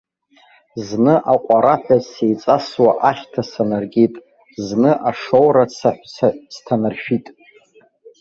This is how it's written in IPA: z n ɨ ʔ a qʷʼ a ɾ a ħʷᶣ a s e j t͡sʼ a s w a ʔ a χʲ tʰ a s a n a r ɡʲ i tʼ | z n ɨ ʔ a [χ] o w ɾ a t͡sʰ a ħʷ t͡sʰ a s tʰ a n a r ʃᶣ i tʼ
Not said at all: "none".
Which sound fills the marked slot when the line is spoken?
ʂ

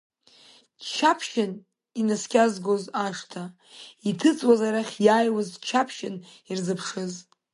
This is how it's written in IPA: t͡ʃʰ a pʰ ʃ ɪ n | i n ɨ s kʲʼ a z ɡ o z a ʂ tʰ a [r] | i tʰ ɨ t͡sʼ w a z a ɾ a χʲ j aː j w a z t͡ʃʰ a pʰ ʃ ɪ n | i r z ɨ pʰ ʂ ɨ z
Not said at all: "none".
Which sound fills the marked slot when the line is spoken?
none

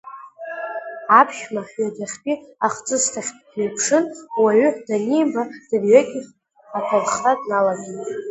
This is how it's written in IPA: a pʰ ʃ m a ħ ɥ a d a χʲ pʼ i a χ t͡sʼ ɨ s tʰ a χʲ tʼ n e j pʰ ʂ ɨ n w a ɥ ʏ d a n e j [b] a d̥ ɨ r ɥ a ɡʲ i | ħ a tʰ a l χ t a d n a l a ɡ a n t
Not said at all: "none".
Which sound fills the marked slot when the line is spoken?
b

